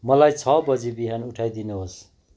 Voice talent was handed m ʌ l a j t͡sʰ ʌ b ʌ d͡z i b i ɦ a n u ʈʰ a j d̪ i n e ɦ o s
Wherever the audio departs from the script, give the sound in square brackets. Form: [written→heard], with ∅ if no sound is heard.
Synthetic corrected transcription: m ʌ l a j t͡sʰ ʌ b ʌ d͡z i b i ɦ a n u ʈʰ a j d̪ i n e ɦ o s